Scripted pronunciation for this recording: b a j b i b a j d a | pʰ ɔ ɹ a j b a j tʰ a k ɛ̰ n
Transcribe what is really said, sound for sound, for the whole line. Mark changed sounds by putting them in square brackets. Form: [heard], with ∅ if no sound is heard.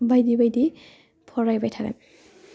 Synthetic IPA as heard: b a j [d] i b a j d [i] | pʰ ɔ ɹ a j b a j tʰ a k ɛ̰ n